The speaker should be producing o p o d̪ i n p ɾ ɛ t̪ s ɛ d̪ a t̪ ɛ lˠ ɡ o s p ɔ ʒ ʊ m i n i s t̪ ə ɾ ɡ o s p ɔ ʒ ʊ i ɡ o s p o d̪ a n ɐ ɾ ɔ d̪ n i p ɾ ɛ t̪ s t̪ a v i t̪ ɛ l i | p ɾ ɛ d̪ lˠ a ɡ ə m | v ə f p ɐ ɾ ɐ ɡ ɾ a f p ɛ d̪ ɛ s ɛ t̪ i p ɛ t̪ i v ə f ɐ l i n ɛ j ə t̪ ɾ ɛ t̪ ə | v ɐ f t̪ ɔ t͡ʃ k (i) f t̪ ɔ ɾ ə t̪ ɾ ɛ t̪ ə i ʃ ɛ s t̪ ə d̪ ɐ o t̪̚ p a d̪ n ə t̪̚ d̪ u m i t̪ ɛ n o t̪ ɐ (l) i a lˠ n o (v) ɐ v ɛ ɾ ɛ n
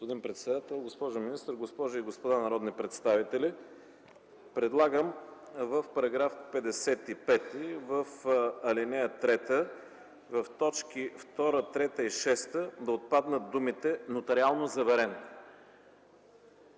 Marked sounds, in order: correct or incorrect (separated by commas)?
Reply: correct, incorrect, incorrect